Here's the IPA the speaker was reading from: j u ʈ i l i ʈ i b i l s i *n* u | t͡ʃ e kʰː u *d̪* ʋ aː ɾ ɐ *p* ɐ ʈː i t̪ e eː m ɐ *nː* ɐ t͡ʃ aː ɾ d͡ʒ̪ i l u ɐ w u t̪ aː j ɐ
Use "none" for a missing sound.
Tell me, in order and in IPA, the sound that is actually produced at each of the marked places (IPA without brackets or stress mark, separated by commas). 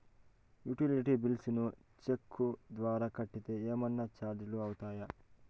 n, d̪, k, nː